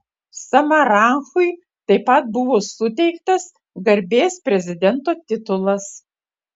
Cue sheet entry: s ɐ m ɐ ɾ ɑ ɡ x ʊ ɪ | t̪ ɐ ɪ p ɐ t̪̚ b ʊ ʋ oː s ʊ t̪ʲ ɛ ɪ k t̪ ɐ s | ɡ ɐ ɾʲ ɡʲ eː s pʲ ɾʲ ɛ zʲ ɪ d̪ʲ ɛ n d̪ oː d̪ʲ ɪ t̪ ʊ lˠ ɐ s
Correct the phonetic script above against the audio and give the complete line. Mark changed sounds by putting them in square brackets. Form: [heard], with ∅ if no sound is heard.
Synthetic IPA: s ɐ m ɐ ɾ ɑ [ŋ] x ʊ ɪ | t̪ ɐ ɪ p ɐ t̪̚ b ʊ ʋ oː s ʊ t̪ʲ ɛ ɪ k t̪ ɐ s | ɡ ɐ ɾʲ [bʲ] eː s pʲ ɾʲ ɛ zʲ ɪ d̪ʲ ɛ n [t̪] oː [t̪ʲ] ɪ t̪ ʊ lˠ ɐ s